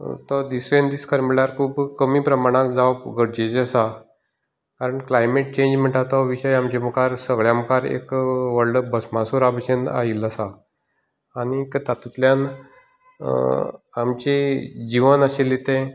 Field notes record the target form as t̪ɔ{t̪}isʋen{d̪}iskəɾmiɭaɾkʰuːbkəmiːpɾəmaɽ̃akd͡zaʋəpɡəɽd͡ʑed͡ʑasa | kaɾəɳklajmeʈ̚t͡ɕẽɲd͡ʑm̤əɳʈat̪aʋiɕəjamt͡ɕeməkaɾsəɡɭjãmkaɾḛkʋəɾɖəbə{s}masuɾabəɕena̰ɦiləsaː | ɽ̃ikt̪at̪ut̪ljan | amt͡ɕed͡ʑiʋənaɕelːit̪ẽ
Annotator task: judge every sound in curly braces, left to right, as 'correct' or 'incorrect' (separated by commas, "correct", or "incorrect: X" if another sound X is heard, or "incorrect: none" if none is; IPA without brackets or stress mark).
incorrect: d̪, correct, correct